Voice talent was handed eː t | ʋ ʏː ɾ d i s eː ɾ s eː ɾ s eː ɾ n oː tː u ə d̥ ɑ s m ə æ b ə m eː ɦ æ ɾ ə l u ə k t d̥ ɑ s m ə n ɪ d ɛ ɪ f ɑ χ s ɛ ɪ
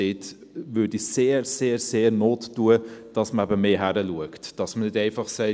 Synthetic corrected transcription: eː t | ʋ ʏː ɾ d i s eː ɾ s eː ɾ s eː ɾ n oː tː u ə d̥ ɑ s m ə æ b ə m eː ɦ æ ɾ ə l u ə k t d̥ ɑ s m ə n ɪ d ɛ ɪ f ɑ χ s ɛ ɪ